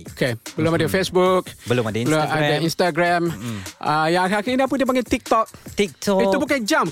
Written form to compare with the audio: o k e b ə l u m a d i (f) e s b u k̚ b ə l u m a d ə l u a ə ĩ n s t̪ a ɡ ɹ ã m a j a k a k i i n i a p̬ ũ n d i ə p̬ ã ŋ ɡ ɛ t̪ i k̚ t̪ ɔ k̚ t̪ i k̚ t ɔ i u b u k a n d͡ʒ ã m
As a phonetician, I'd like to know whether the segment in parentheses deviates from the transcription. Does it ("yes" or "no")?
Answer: no